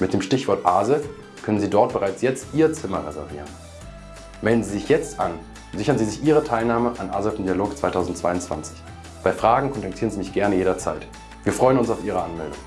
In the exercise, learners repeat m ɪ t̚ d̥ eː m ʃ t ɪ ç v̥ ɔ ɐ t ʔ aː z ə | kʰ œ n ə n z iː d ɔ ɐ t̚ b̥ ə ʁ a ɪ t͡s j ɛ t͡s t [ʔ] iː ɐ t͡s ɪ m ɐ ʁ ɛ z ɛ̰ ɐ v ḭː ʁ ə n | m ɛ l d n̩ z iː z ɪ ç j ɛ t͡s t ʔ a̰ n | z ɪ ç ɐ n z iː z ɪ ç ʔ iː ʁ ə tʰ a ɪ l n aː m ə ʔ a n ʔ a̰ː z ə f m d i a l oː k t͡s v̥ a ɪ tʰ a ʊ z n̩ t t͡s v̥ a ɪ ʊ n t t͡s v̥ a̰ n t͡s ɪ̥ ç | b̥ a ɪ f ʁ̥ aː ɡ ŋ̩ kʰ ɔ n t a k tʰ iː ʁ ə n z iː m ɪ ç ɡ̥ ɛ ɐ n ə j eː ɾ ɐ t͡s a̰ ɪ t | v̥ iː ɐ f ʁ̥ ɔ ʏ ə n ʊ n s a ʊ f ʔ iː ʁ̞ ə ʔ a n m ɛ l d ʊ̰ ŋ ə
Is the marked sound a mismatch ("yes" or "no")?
no